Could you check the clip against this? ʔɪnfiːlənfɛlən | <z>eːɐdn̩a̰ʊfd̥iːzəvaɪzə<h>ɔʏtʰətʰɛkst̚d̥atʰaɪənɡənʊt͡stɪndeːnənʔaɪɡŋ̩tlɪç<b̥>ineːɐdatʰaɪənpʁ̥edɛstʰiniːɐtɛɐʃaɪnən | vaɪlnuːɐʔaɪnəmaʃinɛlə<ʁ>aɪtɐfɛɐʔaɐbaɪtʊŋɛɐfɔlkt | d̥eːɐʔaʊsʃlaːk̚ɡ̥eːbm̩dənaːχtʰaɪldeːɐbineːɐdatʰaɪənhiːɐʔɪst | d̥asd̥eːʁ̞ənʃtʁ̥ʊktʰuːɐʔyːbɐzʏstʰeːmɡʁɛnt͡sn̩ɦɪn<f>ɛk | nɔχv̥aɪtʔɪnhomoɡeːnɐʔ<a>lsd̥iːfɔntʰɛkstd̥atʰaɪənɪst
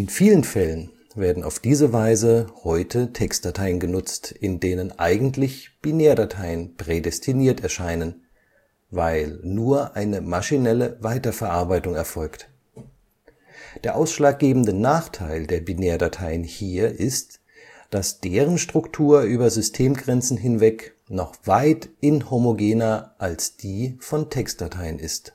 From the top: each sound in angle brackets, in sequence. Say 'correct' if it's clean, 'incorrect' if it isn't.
incorrect, correct, correct, incorrect, incorrect, correct

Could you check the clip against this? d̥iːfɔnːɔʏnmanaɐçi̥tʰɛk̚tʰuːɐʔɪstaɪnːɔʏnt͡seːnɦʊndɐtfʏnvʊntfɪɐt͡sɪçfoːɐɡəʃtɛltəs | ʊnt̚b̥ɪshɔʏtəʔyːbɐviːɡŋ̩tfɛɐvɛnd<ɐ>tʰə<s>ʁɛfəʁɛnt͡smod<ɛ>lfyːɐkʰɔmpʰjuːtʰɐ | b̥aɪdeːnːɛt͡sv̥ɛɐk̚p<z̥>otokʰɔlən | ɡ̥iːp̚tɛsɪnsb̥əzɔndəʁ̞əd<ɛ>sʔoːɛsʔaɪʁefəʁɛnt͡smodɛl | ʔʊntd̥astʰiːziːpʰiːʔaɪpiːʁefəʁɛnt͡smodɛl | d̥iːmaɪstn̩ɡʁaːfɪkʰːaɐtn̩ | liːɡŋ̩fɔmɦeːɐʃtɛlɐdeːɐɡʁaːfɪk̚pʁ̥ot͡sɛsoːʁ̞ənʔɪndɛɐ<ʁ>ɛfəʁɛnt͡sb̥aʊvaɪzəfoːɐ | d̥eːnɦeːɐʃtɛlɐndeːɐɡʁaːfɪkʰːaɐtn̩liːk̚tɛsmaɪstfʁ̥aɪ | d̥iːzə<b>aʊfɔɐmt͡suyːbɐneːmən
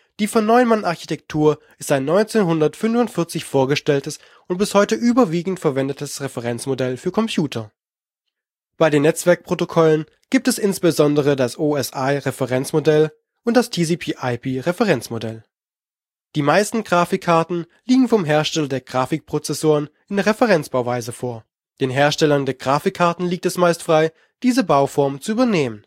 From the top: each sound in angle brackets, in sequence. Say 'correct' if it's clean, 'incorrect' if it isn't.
incorrect, correct, correct, incorrect, incorrect, correct, correct

